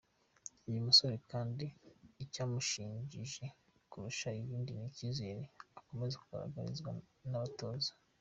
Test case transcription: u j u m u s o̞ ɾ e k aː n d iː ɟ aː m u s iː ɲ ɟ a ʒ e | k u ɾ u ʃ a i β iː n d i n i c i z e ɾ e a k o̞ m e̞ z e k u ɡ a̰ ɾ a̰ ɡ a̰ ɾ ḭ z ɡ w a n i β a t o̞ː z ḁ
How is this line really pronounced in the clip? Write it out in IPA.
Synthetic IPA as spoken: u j u m u s o̞ ɾ e k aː n d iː c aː m u ʃ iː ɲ ɟ i ʒ e | k u ɾ u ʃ a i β iː n d i n i c i z e ɾ e a k o̞ m e̞ z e k u ɡ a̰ ɾ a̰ ɡ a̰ ɾ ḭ z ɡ w a n a β a t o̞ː z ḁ

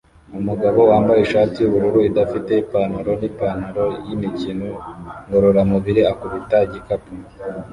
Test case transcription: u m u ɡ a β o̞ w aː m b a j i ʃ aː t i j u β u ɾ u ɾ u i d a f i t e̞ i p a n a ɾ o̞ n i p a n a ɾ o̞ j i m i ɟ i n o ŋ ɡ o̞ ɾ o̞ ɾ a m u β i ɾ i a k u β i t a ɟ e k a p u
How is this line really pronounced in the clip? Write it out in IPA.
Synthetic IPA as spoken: u m u ɡ a β o̞ w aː m b a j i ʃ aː t i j u β u ɾ u ɾ u i d a f i t e̞ i p a n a ɾ o̞ n i p a n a ɾ o̞ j i m i c i n o ŋ ɡ o̞ ɾ o̞ ɾ a m u β i ɾ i a k u β i t a ɟ i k a p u

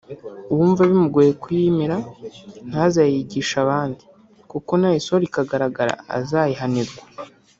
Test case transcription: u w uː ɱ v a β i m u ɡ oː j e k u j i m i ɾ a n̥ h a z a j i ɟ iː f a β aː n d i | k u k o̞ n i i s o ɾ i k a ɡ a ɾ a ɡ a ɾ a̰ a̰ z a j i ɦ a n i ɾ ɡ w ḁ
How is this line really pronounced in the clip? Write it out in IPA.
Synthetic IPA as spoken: u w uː ɱ v a β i m u ɡ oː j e k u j i m i ɾ a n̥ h a z a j i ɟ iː ʃ a β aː n d i | k u k o̞ n a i s o ɾ i k a ɡ a ɾ a ɡ a ɾ a̰ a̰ z a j i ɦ a n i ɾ ɡ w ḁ

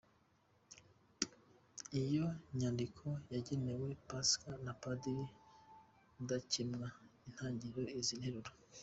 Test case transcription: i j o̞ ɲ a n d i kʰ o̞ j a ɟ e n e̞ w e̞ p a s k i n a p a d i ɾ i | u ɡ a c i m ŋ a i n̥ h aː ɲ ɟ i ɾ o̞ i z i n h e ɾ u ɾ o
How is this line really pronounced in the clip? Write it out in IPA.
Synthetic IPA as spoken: i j o̞ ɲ a n d i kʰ o̞ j a ɟ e n e̞ w e̞ p a s k a n a p a d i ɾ i | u d a c i m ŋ a i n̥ h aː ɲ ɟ i ɾ o̞ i z i n h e ɾ u ɾ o

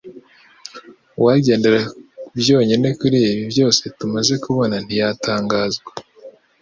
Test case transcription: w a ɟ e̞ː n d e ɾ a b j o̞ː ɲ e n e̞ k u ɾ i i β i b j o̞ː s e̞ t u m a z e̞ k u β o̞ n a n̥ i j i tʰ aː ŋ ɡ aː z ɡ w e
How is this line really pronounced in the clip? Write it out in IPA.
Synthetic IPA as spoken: w a ɟ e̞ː n d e ɾ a b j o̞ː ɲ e n e̞ k u ɾ i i β i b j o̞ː s e̞ t u m a z e̞ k u β o̞ n a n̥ i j a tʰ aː ŋ ɡ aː z ɡ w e

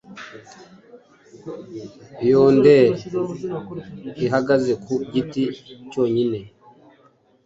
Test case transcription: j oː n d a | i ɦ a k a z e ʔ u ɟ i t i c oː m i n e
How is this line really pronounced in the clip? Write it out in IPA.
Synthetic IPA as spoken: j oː n d e | i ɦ a ɡ a z e k u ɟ i t i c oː ɲ i n e

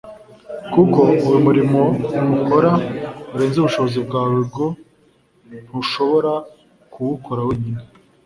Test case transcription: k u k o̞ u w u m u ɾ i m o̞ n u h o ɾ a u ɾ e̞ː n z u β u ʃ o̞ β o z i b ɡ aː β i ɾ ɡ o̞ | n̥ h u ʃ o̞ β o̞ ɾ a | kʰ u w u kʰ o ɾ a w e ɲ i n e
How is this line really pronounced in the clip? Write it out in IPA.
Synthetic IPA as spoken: k u k o̞ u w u m u ɾ i m o̞ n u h o ɾ a u ɾ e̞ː n z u β u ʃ o̞ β o z i b ɡ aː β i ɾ ɡ o̞ | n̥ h u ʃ o̞ β o̞ ɾ a | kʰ u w u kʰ o ɾ a w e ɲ i n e

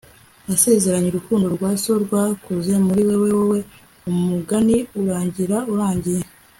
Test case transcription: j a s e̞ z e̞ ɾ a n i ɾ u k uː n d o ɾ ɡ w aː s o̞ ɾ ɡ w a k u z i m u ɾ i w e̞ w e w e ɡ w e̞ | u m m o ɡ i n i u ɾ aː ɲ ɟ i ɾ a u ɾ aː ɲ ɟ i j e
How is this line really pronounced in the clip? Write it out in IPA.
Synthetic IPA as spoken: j a s e̞ z e̞ ɾ a ɲ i ɾ u k uː n d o ɾ ɡ w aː s o̞ ɾ ɡ w a k u z e m u ɾ i w e̞ w e w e w e̞ | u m m u ɡ a n i u ɾ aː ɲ ɟ i ɾ a u ɾ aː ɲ ɟ i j e

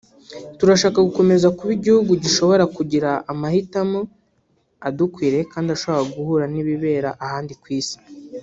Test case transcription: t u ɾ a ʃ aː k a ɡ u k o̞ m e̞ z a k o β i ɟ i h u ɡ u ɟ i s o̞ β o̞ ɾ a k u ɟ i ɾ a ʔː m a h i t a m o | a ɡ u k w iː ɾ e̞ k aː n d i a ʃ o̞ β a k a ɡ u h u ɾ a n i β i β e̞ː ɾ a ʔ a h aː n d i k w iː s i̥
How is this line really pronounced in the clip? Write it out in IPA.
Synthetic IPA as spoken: t u ɾ a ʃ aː k a ɡ u k o̞ m e̞ z a k u β i ɟ i h u ɡ u ɟ i ʃ o̞ β o̞ ɾ a k u ɟ i ɾ a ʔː m a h i t a m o | a d u k w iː ɾ e̞ k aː n d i a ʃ o̞ β a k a ɡ u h u ɾ a n i β i β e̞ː ɾ a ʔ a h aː n d i k w iː s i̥

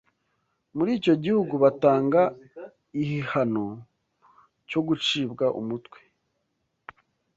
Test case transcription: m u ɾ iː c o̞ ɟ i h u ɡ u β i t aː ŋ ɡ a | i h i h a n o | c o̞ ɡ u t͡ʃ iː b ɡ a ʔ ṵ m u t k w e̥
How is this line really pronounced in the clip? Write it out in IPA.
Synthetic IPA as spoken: m u ɾ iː c o̞ ɟ i h u ɡ u β a t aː ŋ ɡ a | i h i h a n o | c o̞ ɡ u t͡ʃ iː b ɡ a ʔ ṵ m u t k w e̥

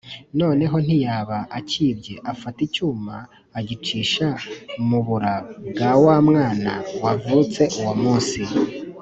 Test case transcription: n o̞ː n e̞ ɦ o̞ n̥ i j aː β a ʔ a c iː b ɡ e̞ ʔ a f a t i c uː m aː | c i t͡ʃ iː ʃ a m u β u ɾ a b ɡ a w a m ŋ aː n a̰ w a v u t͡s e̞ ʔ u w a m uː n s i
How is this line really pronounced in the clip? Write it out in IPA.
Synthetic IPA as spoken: n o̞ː n e̞ ɦ o̞ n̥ i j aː β a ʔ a c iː b ɟ e̞ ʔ a f a t i c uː m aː | ɟ i t͡ʃ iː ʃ a m u β u ɾ a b ɡ a w a m ŋ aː n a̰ w a v u t͡s e̞ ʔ u w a m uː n s i

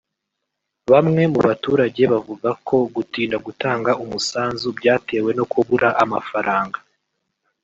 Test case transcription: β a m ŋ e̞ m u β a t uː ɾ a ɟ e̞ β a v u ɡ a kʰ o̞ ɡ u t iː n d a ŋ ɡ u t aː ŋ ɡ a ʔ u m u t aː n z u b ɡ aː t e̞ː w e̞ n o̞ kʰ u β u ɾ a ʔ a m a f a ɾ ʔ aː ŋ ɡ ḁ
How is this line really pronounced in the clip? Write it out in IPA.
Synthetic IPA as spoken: β a m ŋ e̞ m u β a t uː ɾ a ɟ e̞ β a v u ɡ a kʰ o̞ ɡ u t iː n d a ɡ u t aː ŋ ɡ a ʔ u m u s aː n z u b ɟ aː t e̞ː w e̞ n o̞ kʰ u β u ɾ a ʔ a m a f a ɾ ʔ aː ŋ ɡ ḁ

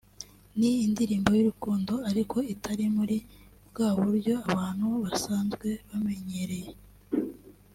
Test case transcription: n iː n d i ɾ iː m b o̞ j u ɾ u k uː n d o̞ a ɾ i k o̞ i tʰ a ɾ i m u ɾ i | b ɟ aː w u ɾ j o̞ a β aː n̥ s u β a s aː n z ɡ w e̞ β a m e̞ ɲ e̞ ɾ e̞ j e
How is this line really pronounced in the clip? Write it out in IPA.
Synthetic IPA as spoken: n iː n d i ɾ iː m b o̞ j u ɾ u k uː n d o̞ a ɾ i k o̞ i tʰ a ɾ i m u ɾ i | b ɡ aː β u ɾ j o̞ a β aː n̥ h u β a s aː n z ɡ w e̞ β a m e̞ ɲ e̞ ɾ e̞ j e

